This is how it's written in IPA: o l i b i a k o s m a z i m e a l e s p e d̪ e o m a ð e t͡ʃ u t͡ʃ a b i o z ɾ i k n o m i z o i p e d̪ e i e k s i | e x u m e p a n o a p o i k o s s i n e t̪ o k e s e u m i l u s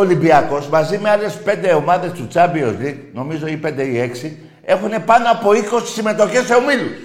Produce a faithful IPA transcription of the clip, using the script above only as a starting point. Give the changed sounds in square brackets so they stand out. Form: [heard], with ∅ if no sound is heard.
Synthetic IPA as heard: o l i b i a k o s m a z i m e a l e s p e d̪ e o m a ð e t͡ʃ u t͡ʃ a b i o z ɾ i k n o m i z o i p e d̪ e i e k s i | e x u [n] e p a n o a p o i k o s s i [m] e t̪ o k e s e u m i l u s